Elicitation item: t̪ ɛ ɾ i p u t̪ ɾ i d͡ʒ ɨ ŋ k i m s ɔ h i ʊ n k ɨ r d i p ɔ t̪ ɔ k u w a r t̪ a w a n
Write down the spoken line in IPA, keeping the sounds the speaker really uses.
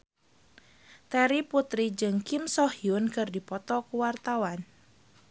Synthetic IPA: t̪ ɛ ɾ i p u t̪ ɾ i d͡ʒ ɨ ŋ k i m s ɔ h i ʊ n k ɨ r d i p ɔ t̪ ɔ k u w a r t̪ a w a n